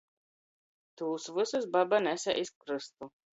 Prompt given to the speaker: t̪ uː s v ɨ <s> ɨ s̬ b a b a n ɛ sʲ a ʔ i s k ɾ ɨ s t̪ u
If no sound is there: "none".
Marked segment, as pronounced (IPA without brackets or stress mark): s